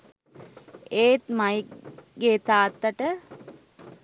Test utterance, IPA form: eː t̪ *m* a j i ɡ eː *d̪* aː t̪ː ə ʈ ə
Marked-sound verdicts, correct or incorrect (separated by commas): correct, incorrect